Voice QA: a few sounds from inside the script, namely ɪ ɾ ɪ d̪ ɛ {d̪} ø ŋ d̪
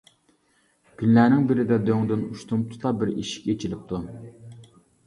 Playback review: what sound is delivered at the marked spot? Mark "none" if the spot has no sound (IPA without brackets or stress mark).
d̪